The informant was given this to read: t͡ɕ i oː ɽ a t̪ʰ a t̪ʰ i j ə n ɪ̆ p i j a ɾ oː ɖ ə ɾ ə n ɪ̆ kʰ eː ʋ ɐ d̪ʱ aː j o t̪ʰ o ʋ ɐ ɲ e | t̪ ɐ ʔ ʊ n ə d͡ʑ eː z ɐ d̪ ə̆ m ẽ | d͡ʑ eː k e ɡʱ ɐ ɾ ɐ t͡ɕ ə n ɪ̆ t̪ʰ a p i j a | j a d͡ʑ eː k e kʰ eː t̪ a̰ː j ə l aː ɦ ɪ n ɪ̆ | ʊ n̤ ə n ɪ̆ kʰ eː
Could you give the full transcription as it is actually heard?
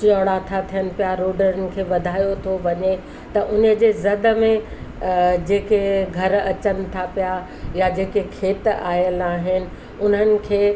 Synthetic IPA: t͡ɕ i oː ɽ a t̪ʰ a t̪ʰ i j ə n ɪ̆ p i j a ɾ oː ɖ ə ɾ ə n ɪ̆ kʰ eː ʋ ɐ d̪ʱ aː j o t̪ʰ o ʋ ɐ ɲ e | t̪ ɐ ʔ ʊ n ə d͡ʑ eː z ɐ d̪ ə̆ m ẽ | d͡ʑ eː k e ɡʱ ɐ ɾ ɐ t͡ɕ ə n ɪ̆ t̪ʰ a p i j a | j a d͡ʑ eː k e kʰ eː t̪ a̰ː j ə l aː ɦ ɪ n ɪ̆ | ʊ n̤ ə n ɪ̆ kʰ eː